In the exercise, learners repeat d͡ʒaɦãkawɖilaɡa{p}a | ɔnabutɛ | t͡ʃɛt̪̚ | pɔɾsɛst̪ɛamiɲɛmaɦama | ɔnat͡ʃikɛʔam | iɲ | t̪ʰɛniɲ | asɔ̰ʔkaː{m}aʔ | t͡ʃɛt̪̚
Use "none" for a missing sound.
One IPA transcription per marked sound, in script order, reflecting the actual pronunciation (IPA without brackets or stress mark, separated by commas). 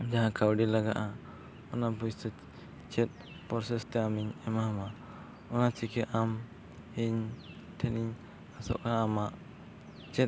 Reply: ʔ, m